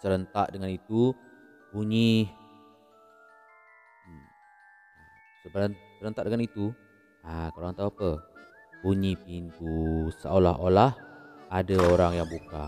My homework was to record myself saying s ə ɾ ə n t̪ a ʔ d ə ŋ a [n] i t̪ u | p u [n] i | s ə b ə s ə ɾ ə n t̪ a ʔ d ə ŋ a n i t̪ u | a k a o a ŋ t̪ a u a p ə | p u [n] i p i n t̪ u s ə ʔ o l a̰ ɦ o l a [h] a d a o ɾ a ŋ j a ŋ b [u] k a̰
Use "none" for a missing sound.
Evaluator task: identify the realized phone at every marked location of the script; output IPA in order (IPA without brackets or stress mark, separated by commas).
n, ɲ, ɲ, h, u